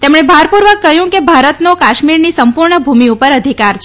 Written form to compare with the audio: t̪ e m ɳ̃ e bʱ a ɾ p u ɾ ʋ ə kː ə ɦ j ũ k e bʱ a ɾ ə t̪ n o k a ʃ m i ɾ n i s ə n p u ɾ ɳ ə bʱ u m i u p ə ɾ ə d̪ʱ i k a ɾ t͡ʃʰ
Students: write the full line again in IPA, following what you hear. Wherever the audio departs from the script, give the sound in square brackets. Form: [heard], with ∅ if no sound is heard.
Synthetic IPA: t̪ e m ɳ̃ e bʱ a ɾ p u ɾ ʋ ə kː ə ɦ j ũ k e bʱ a ɾ ə t̪ n o k a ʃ m i ɾ n i s ə [m] p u ɾ ɳ ə bʱ u m i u p ə ɾ ə d̪ʱ i k a ɾ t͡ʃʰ